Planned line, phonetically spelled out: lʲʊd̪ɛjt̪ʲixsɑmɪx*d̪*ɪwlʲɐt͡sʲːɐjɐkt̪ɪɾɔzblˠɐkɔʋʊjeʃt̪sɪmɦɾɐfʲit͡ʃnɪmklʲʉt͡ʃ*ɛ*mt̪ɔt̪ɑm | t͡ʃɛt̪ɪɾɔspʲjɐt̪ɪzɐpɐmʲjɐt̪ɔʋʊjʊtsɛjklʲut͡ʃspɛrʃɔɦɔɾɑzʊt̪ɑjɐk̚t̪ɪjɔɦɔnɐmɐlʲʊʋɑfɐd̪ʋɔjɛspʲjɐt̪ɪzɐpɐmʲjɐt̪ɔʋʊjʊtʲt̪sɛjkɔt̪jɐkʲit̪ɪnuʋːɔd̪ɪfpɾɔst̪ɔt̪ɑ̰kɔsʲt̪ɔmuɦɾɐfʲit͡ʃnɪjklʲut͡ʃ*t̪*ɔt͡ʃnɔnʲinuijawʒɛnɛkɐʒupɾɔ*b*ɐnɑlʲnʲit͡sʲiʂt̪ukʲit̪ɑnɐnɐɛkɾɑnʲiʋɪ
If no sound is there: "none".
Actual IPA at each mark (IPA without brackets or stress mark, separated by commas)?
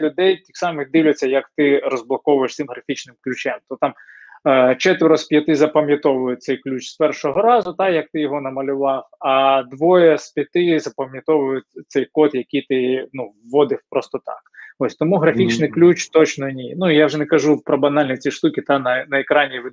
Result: d̪, ɛ, t̪, b